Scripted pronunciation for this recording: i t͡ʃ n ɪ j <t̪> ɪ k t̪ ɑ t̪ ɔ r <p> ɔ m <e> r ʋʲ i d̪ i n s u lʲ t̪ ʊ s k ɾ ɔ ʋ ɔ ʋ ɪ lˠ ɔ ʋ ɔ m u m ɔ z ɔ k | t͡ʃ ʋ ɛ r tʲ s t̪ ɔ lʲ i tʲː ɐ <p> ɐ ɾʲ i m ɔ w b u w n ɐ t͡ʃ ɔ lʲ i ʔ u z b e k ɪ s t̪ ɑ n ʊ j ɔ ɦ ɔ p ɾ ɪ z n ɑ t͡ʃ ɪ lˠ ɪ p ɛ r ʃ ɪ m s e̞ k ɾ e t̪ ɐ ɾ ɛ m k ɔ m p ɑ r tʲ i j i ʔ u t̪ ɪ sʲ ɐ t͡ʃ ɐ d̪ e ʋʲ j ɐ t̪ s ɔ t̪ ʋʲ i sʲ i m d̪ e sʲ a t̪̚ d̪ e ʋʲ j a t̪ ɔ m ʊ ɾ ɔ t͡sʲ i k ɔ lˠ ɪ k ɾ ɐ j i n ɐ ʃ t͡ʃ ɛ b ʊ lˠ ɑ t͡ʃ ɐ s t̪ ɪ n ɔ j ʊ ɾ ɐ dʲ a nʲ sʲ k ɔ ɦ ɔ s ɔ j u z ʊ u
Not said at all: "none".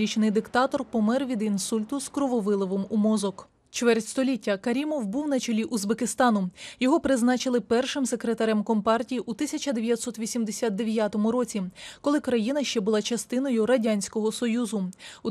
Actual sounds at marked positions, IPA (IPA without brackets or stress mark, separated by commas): d̪, p, ɛ, k